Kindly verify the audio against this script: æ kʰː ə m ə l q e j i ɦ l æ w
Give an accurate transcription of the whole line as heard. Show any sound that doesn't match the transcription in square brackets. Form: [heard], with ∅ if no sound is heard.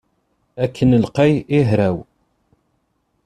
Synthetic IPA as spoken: æ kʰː ə [n] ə l q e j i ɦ [ɾ] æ w